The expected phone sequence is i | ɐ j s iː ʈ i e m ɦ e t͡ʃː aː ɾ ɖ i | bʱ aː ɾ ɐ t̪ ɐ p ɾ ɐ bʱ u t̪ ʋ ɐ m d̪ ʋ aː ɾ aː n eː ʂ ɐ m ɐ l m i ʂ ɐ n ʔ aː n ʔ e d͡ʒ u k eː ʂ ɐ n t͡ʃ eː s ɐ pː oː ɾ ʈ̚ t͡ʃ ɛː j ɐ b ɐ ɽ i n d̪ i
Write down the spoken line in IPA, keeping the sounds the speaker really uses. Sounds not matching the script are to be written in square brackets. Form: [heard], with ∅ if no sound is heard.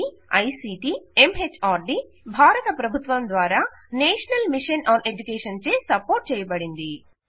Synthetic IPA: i | ɐ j s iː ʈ i e m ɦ e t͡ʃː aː ɾ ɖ i | bʱ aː ɾ ɐ t̪ ɐ p ɾ ɐ bʱ u t̪ ʋ ɐ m d̪ ʋ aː ɾ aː n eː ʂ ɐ [n] ɐ l m i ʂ ɐ n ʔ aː n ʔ e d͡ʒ u k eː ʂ ɐ n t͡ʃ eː s ɐ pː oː ɾ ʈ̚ t͡ʃ ɛː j ɐ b ɐ ɽ i n d̪ i